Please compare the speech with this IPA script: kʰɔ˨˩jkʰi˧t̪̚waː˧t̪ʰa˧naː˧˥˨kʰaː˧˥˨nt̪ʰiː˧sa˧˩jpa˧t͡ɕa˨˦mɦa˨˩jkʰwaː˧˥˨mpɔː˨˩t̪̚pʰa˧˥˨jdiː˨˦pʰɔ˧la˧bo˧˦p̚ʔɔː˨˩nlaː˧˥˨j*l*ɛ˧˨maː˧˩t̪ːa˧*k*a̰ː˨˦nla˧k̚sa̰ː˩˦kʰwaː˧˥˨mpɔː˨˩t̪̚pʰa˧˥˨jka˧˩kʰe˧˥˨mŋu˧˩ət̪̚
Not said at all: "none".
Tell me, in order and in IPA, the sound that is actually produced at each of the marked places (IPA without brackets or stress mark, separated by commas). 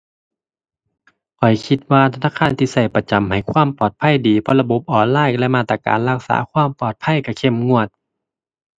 l, k